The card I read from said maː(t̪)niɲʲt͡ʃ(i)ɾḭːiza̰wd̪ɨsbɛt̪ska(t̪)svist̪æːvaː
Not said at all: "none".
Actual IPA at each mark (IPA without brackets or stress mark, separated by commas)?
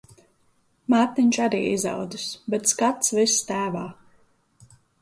t̪, a, t̪